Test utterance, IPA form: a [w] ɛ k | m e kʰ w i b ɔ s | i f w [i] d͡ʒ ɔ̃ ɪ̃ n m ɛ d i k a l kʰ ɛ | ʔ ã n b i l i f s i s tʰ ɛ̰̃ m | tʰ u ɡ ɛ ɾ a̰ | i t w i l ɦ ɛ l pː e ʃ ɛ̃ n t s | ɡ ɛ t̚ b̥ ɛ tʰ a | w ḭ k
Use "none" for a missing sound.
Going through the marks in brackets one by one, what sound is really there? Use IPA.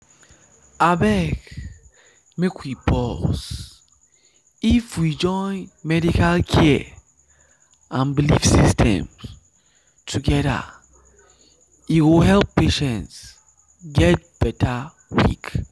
b, i

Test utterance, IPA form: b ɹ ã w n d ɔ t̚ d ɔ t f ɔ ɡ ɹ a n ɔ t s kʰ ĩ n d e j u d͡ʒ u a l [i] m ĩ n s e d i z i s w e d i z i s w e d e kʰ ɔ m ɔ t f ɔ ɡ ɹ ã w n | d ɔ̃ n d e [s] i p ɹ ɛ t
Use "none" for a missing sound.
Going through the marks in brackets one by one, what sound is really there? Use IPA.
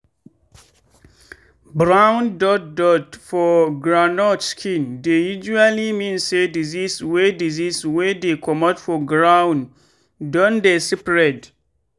i, s

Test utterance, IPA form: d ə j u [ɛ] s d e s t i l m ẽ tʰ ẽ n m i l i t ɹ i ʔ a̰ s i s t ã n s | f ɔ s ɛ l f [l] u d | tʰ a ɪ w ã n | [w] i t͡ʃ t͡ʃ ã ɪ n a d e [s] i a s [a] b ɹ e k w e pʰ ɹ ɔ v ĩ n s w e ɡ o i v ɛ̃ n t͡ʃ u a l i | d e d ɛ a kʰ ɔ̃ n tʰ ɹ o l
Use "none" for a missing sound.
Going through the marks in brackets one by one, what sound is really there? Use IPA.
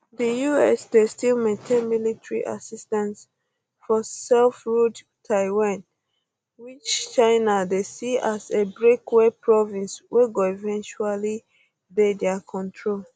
ɛ, ɹ, w, s, e

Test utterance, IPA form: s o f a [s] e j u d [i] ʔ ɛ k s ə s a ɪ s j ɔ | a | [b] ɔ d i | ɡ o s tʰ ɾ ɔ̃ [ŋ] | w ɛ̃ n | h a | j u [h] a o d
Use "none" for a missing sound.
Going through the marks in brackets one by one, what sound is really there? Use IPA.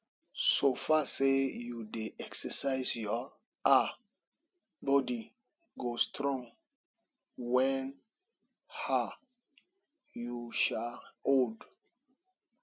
s, e, b, ŋ, ʃ

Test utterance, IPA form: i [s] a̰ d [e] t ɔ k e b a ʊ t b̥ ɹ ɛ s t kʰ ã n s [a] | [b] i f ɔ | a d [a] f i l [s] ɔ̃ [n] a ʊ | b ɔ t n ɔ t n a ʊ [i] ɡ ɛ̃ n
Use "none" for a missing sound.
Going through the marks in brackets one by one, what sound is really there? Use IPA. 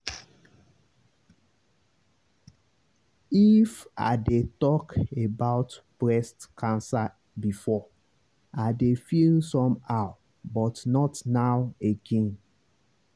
f, e, a, b, e, s, m, e

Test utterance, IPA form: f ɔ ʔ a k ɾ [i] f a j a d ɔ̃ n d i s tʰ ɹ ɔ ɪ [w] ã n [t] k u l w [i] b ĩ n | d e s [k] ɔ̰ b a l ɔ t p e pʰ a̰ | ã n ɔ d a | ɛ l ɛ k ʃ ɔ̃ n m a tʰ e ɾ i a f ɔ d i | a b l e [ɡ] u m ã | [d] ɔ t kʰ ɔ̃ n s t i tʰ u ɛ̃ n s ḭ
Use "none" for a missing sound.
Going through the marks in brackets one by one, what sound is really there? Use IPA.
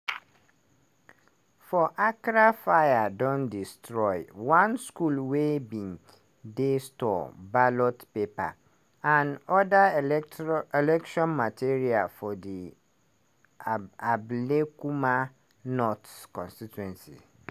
a, w, s, e, t, k, n

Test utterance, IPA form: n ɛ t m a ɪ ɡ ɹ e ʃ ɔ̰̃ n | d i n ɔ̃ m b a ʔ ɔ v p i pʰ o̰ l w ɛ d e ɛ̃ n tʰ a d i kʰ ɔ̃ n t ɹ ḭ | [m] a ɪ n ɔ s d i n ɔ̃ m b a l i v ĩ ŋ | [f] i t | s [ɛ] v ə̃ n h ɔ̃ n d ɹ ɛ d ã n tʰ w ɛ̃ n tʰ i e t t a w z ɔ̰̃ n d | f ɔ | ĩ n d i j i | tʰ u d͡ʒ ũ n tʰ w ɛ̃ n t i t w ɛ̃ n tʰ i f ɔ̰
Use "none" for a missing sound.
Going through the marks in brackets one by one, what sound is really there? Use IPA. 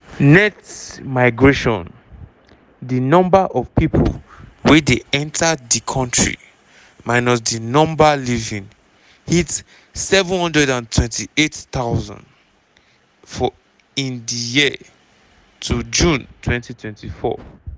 m, h, ɛ

